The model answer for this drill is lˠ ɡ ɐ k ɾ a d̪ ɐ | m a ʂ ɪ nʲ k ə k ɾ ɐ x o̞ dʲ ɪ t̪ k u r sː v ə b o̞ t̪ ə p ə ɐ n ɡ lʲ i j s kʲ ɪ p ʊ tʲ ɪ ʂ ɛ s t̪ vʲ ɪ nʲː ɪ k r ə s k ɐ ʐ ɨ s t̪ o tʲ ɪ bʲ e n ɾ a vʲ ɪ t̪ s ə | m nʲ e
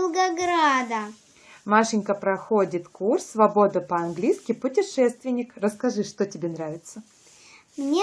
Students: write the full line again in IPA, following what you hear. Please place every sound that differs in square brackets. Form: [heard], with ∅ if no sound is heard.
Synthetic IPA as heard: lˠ ɡ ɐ [ɡ] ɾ a d̪ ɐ | m a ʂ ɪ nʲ k ə [p] ɾ ɐ x o̞ dʲ ɪ t̪ k u r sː v [ɐ] b o̞ [d̪] ə p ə ɐ n ɡ lʲ i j s kʲ ɪ p ʊ tʲ ɪ ʂ ɛ s t̪ vʲ ɪ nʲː ɪ k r ə s k ɐ ʐ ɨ [ʂ] t̪ o tʲ ɪ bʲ e n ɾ a vʲ ɪ t̪ s ə | m nʲ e